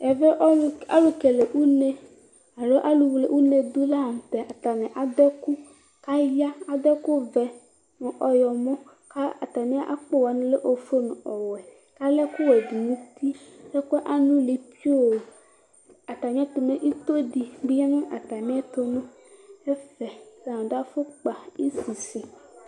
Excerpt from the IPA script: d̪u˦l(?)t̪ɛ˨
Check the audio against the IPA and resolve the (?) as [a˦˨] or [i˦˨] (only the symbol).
a˦˨